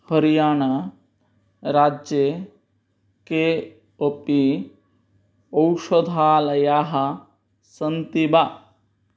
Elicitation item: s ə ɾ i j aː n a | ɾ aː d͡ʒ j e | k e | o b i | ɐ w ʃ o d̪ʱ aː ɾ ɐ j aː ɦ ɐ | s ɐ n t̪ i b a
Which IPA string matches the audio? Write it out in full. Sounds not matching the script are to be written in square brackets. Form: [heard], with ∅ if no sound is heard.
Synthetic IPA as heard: [h] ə ɾ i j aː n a | ɾ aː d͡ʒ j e | k e | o [p] i | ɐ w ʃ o d̪ʱ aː [l] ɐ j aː ɦ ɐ | s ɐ n t̪ i b a